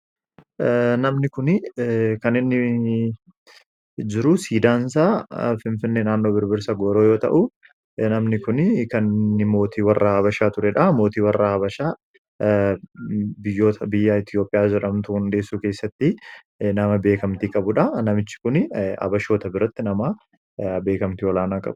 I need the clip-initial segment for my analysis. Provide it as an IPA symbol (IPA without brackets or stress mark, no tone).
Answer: n